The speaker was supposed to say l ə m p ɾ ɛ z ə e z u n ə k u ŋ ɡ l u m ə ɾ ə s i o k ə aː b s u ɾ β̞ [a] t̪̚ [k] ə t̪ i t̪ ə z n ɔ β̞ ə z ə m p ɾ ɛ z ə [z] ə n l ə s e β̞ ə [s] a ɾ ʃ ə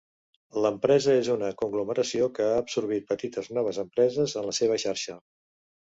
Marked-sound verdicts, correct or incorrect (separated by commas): incorrect, incorrect, correct, incorrect